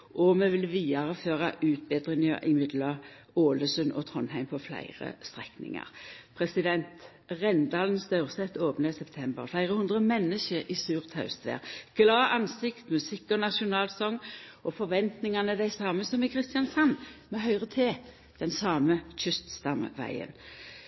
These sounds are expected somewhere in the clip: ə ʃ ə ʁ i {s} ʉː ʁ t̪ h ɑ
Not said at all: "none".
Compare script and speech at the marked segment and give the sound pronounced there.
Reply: s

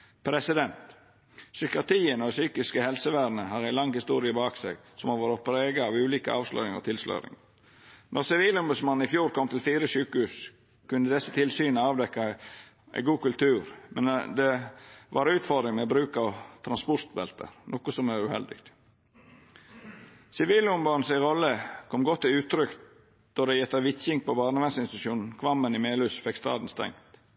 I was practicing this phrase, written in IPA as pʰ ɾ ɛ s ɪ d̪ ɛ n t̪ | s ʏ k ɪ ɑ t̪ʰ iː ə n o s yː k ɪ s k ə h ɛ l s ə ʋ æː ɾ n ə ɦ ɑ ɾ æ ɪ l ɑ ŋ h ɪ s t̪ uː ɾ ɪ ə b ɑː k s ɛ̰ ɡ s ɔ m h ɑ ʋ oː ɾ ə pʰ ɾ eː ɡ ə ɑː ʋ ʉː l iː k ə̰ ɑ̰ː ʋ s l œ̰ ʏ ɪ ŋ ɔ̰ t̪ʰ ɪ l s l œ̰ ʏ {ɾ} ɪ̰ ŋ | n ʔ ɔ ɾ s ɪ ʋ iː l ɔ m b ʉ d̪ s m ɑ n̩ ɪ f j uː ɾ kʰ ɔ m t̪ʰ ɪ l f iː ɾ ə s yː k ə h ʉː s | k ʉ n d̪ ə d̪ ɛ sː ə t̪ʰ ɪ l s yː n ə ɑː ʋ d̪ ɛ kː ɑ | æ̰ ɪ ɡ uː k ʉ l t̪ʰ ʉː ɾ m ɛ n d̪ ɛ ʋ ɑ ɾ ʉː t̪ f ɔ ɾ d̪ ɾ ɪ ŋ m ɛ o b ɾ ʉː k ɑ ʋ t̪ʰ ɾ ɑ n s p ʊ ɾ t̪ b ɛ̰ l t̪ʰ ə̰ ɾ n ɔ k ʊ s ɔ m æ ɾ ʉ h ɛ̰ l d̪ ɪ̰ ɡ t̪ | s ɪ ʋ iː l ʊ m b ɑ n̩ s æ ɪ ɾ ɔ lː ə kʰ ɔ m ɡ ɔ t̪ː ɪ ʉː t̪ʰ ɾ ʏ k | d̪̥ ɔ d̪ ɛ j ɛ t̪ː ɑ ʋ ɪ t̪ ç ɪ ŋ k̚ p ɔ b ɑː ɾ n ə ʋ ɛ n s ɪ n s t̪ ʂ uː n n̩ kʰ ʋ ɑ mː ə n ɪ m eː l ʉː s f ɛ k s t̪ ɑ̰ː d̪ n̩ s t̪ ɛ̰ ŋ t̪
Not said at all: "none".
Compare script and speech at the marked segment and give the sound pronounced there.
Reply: ɾ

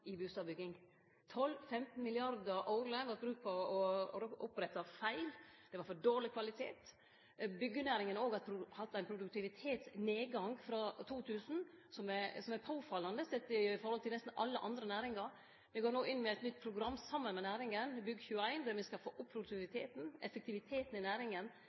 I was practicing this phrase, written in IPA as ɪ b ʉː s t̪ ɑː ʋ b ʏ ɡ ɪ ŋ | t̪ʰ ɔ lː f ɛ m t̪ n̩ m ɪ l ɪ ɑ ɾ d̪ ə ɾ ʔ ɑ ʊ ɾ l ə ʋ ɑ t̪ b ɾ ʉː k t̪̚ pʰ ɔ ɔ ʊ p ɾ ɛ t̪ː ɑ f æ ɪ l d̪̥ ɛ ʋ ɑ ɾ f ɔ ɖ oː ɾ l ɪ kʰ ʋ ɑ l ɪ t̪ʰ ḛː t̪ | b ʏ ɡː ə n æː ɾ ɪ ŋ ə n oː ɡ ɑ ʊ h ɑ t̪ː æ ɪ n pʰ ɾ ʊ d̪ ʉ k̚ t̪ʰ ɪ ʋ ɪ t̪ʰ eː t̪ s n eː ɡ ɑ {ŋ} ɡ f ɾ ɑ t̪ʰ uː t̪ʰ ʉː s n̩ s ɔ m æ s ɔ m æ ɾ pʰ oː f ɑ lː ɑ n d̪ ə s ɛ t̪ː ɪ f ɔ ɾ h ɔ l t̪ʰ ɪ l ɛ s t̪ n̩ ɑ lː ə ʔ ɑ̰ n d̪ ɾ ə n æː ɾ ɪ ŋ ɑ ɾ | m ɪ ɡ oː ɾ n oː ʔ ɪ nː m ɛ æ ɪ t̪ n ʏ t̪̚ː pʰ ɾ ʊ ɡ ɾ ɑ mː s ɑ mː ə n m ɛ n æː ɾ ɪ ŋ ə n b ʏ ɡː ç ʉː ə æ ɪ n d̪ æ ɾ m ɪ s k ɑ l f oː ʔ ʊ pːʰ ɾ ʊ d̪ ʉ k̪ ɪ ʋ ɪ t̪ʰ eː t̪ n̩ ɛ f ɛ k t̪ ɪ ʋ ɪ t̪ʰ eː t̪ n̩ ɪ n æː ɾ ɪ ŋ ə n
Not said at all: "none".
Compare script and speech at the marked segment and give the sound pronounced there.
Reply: ŋ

